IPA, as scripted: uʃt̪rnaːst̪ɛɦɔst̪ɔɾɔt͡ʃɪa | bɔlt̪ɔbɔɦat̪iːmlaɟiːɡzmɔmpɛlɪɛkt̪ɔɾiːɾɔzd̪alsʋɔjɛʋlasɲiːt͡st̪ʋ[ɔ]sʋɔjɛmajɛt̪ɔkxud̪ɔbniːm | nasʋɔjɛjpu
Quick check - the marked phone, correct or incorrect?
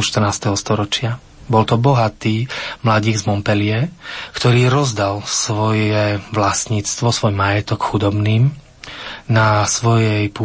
correct